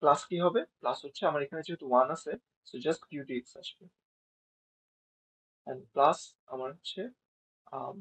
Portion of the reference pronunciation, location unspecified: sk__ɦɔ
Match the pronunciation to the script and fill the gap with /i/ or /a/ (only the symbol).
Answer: i